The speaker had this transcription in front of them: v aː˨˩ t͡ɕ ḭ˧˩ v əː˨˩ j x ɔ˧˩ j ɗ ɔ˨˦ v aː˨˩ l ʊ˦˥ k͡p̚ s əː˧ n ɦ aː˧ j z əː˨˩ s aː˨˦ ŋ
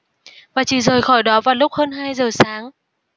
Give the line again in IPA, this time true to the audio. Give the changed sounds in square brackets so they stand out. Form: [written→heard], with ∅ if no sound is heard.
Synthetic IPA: v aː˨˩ t͡ɕ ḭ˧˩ [v→z] əː˨˩ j x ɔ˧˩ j ɗ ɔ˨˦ v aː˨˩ l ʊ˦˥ k͡p̚ [s→h] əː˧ n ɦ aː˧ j z əː˨˩ s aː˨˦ ŋ